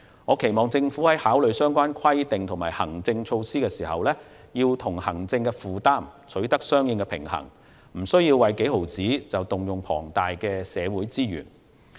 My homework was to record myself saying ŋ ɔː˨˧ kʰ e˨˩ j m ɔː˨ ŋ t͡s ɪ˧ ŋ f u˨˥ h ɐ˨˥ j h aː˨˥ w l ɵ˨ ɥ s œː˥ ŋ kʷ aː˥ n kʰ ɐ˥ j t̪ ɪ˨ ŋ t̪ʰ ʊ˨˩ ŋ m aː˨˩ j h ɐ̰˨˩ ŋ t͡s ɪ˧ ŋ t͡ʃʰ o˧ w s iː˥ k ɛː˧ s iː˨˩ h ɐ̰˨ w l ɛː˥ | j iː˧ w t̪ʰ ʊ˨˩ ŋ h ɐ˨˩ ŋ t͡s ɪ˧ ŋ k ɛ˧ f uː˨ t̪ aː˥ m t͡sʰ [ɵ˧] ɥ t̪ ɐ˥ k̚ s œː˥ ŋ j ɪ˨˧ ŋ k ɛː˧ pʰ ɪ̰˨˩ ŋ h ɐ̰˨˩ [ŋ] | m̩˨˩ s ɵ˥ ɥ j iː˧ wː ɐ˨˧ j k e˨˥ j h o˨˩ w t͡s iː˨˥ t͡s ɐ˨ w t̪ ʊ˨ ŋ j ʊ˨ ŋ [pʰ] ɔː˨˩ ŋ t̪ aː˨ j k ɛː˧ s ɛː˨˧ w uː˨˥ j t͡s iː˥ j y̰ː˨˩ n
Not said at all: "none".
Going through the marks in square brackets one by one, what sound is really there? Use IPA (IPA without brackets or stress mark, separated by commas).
ɵ˨˥, ŋ, pʰ